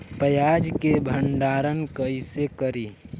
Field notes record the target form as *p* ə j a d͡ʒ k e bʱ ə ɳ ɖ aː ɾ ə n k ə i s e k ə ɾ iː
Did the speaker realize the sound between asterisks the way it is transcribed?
yes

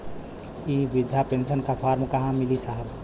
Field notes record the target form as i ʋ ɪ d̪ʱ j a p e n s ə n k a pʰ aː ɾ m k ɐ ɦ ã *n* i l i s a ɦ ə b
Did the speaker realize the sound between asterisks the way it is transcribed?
no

